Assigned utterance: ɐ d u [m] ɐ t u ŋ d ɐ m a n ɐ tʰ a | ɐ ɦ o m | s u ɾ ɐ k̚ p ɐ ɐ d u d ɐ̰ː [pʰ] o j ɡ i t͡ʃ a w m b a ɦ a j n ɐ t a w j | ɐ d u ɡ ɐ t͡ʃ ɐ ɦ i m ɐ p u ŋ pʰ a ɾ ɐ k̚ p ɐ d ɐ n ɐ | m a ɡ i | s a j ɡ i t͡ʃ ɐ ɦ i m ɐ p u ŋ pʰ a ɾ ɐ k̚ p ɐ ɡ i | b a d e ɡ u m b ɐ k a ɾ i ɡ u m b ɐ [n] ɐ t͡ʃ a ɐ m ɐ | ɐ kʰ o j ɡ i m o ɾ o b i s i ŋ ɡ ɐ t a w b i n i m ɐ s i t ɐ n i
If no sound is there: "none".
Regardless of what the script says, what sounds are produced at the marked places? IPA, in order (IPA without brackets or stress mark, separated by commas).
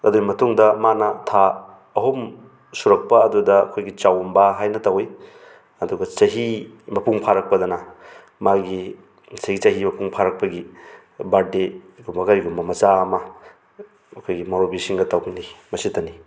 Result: m, kʰ, m